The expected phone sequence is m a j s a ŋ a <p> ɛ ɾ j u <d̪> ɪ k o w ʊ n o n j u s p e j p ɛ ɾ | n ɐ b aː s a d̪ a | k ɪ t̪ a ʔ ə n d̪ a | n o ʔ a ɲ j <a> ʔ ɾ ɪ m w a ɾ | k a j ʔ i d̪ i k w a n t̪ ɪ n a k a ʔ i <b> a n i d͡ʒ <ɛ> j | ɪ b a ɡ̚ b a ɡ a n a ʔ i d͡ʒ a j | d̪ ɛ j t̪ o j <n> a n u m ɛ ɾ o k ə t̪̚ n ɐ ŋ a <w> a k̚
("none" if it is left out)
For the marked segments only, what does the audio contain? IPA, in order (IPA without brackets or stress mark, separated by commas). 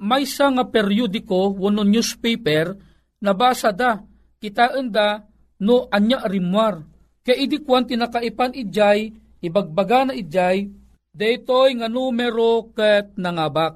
p, d̪, a, p, a, ŋ, b